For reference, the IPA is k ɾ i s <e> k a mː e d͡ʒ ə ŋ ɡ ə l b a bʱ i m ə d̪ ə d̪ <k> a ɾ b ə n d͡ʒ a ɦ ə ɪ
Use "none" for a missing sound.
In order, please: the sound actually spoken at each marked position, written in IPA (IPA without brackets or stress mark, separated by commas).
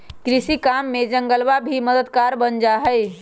i, k